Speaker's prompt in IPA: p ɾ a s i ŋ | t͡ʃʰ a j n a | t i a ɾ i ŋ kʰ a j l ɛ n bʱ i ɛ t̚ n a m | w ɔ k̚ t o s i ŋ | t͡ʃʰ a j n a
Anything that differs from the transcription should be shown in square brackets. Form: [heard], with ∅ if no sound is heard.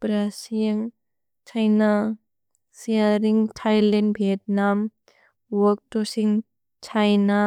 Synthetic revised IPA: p ɾ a s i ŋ | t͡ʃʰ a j n a | [s] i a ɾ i ŋ [tʰ] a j l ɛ n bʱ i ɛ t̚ n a m | w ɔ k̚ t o s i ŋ | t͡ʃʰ a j n a